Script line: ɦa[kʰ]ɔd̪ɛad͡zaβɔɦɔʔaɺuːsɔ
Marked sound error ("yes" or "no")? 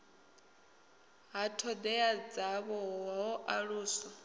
yes